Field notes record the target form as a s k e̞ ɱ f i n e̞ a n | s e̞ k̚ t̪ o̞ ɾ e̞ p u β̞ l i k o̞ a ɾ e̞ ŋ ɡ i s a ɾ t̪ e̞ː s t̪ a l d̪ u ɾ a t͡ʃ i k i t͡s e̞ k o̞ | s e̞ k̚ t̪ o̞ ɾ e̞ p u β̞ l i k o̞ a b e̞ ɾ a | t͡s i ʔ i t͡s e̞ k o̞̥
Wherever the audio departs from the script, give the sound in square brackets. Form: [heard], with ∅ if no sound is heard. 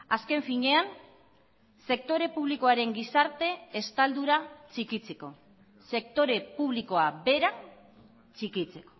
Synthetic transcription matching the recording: a s k e̞ ɱ f i [ɲ] e̞ a n | s e̞ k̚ t̪ o̞ ɾ e̞ p u β̞ l i k o̞ a ɾ e̞ ŋ ɡ i s a ɾ t̪ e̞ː s t̪ a l d̪ u ɾ a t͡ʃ i k i t͡s e̞ k o̞ | s e̞ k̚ t̪ o̞ ɾ e̞ p u β̞ l i k o̞ a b e̞ ɾ a | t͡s i [k] i t͡s e̞ k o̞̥